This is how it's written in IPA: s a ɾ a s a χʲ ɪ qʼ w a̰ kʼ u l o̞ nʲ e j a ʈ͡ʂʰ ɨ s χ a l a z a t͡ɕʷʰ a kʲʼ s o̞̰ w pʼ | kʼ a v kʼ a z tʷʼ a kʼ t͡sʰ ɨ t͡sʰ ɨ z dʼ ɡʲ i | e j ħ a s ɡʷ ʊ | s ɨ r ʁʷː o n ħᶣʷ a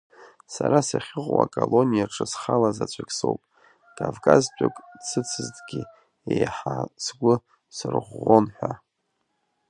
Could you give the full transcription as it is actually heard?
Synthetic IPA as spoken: s a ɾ a s a χʲ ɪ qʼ w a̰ kʼ o l o̞ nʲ i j a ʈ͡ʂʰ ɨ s χ a l a z a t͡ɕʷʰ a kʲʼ s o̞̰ w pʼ | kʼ a v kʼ a z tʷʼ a kʼ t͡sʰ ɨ t͡sʰ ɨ z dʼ ɡʲ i | e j ħ a s ɡʷ ʊ | s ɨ r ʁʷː o n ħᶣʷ a